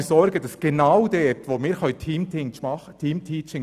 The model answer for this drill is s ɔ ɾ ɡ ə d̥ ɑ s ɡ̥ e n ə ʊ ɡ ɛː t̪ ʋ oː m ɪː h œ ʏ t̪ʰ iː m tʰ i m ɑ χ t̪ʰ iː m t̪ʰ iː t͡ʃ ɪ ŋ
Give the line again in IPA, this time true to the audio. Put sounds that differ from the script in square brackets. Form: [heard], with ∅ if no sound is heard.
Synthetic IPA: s ɔ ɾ ɡ ə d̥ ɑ s ɡ̥ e n [a] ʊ [d] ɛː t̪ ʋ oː m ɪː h œ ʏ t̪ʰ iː m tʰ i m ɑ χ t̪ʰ iː m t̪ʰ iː t͡ʃ ɪ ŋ